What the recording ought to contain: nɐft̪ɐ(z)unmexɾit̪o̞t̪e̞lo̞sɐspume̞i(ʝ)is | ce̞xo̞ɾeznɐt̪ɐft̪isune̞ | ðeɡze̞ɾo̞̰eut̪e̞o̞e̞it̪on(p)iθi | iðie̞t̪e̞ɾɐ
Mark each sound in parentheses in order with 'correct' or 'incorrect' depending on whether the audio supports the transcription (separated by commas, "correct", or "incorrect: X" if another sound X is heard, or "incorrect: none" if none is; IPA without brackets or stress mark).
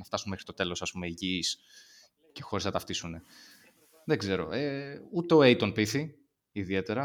incorrect: s, correct, correct